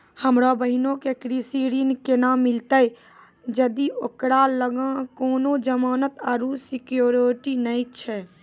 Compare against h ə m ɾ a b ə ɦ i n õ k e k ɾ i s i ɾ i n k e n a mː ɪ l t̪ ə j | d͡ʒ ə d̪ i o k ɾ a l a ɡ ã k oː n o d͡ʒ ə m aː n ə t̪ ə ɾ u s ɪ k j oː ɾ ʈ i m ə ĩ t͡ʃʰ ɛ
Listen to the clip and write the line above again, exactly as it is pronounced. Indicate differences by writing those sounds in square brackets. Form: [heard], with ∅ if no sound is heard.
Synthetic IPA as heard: h ə m ɾ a b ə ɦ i n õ k e k ɾ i s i ɾ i n k e n a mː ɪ l t̪ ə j | d͡ʒ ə d̪ i o k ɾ a l [ə] ɡ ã k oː n o d͡ʒ ə m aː n ə t̪ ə ɾ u s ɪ k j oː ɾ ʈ i [n] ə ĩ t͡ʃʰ ɛ